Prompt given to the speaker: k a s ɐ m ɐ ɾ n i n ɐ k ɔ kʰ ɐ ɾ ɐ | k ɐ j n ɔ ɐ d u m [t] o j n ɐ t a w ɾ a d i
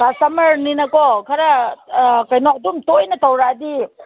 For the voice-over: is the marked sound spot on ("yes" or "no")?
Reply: yes